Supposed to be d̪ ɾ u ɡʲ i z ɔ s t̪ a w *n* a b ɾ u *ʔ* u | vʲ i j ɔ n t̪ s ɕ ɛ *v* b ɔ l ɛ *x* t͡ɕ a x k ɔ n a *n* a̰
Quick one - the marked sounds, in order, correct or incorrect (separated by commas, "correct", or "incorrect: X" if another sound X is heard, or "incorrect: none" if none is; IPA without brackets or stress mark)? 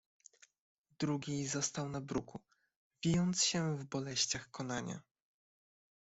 correct, incorrect: k, correct, incorrect: ɕ, incorrect: ɲ